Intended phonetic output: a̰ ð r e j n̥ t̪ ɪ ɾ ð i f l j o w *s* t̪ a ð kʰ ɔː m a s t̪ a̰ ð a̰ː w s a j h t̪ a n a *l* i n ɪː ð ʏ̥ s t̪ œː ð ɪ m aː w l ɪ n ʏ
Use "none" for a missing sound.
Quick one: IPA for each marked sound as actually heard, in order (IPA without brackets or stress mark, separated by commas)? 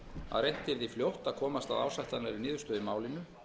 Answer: h, ɾ